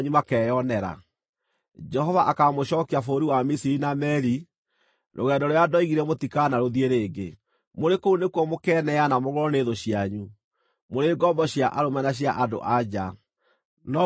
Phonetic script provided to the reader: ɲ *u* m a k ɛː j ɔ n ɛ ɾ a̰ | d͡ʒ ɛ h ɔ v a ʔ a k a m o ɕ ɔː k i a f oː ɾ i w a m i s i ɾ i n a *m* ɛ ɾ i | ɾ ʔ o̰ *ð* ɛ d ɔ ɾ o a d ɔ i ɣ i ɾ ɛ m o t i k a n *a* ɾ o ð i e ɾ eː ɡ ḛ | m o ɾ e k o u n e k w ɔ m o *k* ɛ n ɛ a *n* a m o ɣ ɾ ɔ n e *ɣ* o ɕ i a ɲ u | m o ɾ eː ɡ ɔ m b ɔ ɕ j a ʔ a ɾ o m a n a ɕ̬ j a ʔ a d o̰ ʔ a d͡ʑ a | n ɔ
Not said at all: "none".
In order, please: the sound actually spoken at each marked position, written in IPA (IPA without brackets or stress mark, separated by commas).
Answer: u, m, ɣ, a, k, n, ð